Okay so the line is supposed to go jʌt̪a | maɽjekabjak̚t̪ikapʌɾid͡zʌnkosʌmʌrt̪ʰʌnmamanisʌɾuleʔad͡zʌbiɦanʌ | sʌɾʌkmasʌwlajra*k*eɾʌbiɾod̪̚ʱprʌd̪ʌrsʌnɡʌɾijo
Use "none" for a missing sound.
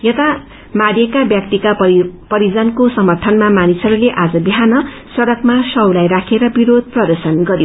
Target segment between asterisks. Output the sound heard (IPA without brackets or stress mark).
kʰ